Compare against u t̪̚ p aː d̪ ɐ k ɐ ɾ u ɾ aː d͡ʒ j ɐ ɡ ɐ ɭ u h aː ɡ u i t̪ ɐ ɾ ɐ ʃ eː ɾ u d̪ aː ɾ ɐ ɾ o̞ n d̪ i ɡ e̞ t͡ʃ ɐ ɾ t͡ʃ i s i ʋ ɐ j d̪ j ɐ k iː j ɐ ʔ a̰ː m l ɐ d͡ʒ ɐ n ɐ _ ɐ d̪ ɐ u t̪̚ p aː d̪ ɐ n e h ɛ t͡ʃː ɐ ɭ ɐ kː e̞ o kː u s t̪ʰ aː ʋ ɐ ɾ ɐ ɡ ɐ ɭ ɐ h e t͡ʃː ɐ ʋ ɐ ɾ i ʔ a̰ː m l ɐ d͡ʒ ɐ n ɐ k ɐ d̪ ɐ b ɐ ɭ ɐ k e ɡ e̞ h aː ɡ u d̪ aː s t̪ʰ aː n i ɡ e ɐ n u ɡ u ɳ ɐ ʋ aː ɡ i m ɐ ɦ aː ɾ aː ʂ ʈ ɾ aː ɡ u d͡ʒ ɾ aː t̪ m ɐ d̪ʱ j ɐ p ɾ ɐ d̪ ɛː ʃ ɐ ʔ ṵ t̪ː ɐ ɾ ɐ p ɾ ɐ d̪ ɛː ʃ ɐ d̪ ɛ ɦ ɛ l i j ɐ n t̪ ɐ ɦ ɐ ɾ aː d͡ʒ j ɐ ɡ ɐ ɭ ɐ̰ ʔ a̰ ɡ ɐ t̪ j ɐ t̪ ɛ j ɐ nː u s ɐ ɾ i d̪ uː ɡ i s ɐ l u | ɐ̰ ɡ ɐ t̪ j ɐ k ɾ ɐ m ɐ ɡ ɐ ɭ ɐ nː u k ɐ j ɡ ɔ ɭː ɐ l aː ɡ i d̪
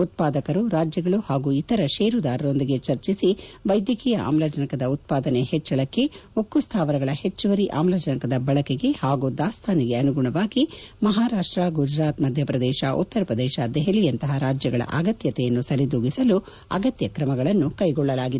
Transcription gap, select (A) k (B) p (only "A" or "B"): A